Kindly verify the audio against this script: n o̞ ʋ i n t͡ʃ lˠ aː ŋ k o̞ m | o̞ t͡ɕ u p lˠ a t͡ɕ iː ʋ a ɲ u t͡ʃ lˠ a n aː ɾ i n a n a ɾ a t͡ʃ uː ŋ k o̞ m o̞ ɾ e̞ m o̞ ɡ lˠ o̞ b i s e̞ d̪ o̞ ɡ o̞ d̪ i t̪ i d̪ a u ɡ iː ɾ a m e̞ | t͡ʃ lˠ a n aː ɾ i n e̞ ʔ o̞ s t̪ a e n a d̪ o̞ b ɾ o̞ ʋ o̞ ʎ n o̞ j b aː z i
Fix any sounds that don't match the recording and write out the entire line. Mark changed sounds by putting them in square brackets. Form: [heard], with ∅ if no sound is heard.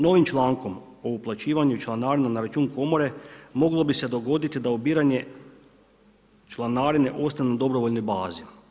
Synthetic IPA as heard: n o̞ ʋ i [m] t͡ʃ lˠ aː ŋ k o̞ m | o̞ [∅] u p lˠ a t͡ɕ iː ʋ a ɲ u t͡ʃ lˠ a n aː ɾ i n a n a ɾ a t͡ʃ uː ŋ k o̞ m o̞ ɾ e̞ m o̞ ɡ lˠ o̞ b i s e̞ d̪ o̞ ɡ o̞ d̪ i t̪ i d̪ a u [b] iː ɾ a [ɲ] e̞ | t͡ʃ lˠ a n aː ɾ i n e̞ ʔ o̞ s t̪ a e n a d̪ o̞ b ɾ o̞ ʋ o̞ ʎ n o̞ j b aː z i